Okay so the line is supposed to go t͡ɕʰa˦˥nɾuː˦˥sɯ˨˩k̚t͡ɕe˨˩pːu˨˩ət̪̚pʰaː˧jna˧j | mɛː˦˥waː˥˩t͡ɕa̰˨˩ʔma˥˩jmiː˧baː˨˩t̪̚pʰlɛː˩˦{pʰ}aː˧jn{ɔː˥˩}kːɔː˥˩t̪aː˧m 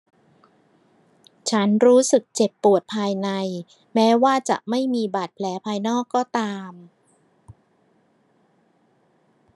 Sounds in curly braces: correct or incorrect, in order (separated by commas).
correct, correct